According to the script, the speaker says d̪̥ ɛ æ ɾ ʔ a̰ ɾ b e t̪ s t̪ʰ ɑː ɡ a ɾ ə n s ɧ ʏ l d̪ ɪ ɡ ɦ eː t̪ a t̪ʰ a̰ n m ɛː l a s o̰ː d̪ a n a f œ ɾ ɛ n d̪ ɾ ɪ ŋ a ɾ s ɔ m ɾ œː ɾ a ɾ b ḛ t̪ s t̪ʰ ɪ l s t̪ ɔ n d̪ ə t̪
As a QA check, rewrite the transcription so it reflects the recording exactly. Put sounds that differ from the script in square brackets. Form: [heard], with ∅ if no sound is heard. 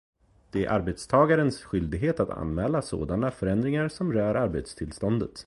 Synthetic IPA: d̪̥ ɛ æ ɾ ʔ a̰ ɾ b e t̪ s t̪ʰ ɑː ɡ a ɾ ə n s ɧ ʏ l d̪ ɪ ɡ ɦ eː t̪ a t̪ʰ a̰ n m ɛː l a s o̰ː d̪ a n a f œ ɾ ɛ n d̪ ɾ ɪ ŋ a ɾ s ɔ m ɾ œː ɾ a ɾ b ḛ t̪ s t̪ʰ ɪ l s t̪ ɔ n d̪ ə t̪

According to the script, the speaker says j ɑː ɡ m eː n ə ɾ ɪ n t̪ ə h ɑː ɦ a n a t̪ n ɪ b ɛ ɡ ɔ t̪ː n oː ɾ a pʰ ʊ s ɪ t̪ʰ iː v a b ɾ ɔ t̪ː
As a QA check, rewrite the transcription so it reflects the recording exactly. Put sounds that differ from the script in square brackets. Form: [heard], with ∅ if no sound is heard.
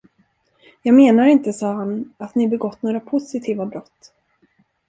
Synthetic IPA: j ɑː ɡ m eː n [a] ɾ ɪ n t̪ ə [s] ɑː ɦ a n a t̪ n ɪ b ɛ ɡ ɔ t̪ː n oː ɾ a pʰ ʊ s ɪ t̪ʰ iː v a b ɾ ɔ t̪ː

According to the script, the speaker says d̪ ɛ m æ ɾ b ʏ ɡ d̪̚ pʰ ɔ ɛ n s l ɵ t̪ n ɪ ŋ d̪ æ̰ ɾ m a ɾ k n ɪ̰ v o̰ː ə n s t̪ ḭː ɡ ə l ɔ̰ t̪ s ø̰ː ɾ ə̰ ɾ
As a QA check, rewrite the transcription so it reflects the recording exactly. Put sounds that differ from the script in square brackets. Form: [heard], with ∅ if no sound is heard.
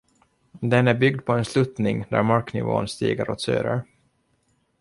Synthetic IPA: d̪ ɛ [n] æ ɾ b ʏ ɡ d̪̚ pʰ ɔ ɛ n s l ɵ t̪ n ɪ ŋ d̪ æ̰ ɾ m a ɾ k n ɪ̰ v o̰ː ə n s t̪ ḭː ɡ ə [ɾ] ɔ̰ t̪ s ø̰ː ɾ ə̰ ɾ

